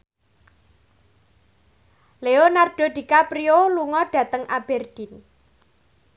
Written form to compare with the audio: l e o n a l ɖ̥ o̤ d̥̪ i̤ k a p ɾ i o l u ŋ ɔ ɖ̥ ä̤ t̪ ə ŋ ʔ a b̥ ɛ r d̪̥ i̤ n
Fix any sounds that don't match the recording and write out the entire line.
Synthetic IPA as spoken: l e o n a r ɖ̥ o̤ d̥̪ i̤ k a p ɾ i o l u ŋ ɔ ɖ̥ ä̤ t̪ ə ŋ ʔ a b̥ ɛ r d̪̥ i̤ n